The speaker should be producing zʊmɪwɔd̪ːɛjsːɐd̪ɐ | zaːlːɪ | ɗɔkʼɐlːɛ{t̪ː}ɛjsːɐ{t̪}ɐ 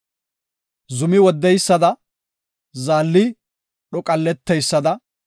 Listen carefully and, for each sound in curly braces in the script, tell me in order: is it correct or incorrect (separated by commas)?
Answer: correct, incorrect